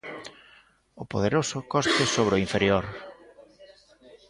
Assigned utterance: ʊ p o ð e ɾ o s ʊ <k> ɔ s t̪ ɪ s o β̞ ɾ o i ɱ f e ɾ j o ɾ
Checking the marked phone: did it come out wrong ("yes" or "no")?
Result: no